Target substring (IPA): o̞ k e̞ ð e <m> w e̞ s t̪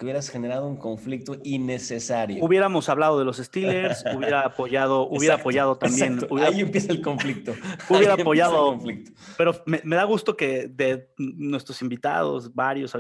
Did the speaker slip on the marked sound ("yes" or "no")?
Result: yes